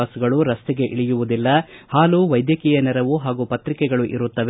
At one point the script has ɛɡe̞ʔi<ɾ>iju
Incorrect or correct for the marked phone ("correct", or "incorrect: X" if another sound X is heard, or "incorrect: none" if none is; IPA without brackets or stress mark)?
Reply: incorrect: ɭ